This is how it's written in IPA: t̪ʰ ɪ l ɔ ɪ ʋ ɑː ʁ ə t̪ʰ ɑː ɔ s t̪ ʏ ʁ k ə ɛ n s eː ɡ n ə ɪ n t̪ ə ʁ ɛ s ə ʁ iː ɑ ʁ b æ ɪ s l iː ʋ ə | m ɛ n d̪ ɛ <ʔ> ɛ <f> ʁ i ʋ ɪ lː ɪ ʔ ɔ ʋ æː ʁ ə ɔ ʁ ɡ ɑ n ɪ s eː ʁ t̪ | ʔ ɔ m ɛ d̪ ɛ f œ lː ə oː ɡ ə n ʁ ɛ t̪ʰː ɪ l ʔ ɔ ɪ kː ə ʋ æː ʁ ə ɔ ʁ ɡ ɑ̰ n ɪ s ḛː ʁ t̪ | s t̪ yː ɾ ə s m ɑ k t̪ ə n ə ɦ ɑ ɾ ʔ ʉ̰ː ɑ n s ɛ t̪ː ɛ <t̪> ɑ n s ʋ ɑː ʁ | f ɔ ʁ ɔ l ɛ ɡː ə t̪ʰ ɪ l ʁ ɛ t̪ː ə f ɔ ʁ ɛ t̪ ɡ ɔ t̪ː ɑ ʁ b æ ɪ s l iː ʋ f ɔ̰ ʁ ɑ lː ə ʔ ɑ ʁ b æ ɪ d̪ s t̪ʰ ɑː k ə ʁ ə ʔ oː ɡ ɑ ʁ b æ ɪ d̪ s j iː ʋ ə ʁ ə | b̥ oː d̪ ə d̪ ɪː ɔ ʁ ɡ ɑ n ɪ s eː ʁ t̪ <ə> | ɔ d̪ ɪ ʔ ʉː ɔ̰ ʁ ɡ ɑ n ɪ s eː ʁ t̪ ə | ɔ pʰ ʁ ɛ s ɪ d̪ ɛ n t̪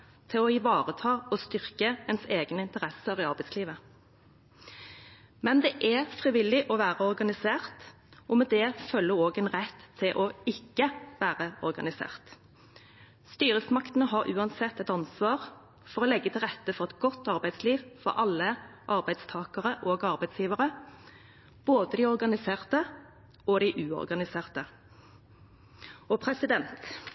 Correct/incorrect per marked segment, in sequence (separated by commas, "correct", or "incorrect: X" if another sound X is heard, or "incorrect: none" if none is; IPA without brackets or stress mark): correct, correct, correct, correct